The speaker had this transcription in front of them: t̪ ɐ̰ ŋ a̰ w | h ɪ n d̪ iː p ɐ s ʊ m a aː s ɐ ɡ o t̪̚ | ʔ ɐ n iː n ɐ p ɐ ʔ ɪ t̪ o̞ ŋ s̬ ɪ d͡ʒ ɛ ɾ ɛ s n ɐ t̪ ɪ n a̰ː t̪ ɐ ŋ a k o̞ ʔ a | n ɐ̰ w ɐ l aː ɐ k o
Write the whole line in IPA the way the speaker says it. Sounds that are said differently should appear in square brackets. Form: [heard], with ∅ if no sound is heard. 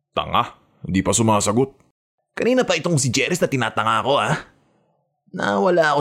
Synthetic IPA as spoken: t̪ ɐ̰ ŋ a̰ [∅] | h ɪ n d̪ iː p ɐ s ʊ m a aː s ɐ ɡ o t̪̚ | [k] ɐ n iː n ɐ p ɐ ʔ ɪ t̪ o̞ ŋ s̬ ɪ d͡ʒ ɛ ɾ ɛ s n ɐ t̪ ɪ n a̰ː t̪ ɐ ŋ a k o̞ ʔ a | n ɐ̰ w ɐ l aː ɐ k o